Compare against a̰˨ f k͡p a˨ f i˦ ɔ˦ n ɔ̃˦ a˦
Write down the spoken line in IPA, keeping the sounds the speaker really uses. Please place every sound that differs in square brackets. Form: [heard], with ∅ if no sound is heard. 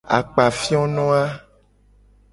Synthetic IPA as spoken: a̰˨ [∅] k͡p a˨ f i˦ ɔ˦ n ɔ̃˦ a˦